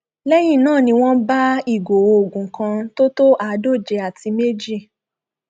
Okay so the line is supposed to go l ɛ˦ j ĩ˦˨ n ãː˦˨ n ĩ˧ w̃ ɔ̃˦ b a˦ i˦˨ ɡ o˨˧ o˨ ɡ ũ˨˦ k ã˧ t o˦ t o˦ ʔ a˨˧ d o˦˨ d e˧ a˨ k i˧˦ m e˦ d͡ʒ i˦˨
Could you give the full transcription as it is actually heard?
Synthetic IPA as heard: l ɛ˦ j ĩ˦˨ n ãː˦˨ n ĩ˧ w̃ ɔ̃˦ b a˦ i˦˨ ɡ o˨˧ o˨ ɡ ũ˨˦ k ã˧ t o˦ t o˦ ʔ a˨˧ d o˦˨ d͡ʒ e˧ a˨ t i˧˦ m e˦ d͡ʒ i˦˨